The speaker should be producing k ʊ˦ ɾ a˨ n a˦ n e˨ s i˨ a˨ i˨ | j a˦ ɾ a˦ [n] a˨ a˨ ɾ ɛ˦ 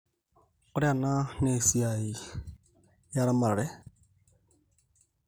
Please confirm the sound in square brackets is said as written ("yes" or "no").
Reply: no